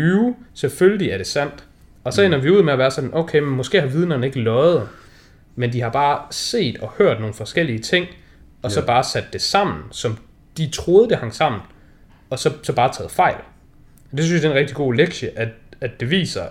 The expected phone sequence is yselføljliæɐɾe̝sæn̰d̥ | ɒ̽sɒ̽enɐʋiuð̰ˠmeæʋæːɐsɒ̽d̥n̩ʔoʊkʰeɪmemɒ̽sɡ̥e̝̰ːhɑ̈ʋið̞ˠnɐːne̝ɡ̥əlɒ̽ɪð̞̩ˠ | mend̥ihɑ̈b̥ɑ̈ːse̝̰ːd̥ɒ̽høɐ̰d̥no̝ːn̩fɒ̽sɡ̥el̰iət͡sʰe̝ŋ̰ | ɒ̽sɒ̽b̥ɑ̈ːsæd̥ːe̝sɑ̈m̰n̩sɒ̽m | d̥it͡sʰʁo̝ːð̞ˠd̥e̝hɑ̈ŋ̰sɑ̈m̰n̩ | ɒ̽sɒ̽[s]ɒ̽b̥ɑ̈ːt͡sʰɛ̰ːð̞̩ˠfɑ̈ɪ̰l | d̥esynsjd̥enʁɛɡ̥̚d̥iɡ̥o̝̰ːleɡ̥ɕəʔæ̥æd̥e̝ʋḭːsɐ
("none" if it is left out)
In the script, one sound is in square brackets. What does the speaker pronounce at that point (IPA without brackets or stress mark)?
s